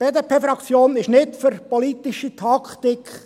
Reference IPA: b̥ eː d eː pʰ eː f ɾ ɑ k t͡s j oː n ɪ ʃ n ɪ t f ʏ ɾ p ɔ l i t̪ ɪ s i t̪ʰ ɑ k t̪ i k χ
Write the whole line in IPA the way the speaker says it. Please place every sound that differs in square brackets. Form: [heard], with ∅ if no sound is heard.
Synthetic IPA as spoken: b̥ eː d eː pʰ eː f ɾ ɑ k t͡s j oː n ɪ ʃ n ɪ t f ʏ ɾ p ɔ l i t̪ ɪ [ʃ] i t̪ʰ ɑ k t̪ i k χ